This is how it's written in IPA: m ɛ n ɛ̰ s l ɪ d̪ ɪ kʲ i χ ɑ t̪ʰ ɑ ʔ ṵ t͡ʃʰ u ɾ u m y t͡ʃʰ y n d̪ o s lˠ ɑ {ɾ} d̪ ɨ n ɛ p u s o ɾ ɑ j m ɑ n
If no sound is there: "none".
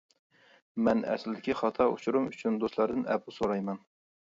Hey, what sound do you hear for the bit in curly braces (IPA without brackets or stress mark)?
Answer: ɾ